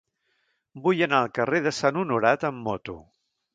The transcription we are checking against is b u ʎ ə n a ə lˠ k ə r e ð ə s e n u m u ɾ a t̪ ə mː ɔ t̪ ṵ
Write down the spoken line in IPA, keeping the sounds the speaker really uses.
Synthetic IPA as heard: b u j ə n a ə lˠ k ə r e ð ə s a n u n u ɾ a t̪ ə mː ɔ t̪ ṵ